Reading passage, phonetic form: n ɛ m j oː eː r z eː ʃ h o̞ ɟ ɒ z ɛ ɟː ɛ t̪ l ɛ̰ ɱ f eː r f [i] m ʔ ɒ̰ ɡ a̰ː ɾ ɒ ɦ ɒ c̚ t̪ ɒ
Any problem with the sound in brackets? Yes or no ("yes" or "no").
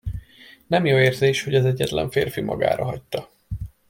no